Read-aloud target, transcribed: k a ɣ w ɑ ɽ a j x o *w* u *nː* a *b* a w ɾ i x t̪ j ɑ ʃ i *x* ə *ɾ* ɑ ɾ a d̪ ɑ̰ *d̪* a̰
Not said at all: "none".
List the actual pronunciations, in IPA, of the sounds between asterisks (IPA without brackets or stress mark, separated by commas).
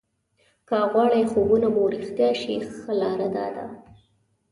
b, n, b, x, l, d̪